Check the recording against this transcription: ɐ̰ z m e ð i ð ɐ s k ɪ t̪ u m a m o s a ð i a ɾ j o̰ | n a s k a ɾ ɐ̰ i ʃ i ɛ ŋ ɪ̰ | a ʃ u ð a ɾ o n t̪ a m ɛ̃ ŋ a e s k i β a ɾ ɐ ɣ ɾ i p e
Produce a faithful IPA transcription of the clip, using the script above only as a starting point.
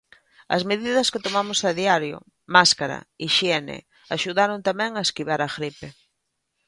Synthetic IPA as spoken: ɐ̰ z m e ð i ð ɐ s k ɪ t̪ o m a m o s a ð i a ɾ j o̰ | m a s k a ɾ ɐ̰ i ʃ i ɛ n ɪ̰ | a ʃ u ð a ɾ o n t̪ a m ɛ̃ ŋ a e s k i β a ɾ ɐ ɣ ɾ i p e